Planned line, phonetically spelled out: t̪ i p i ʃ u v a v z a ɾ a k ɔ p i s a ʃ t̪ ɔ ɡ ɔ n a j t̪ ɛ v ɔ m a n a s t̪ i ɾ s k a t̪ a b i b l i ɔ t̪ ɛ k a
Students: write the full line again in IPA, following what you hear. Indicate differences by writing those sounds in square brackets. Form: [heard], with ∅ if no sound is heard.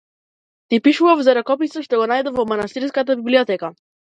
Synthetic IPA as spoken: t̪ i p i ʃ u v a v z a ɾ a k ɔ p i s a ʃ t̪ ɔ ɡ ɔ n a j [d̪] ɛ v ɔ m a n a s t̪ i ɾ s k a t̪ a b i b l i ɔ t̪ ɛ k a